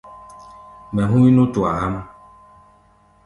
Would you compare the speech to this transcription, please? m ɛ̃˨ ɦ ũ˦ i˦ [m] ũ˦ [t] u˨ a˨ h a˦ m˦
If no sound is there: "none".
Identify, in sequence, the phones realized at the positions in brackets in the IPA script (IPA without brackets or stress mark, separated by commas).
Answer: n, t